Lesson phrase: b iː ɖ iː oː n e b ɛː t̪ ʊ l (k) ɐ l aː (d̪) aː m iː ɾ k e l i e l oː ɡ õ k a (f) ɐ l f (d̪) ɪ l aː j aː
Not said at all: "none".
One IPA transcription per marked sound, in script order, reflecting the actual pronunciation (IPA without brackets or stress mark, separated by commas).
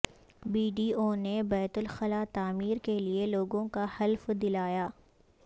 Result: x, t̪, h, d̪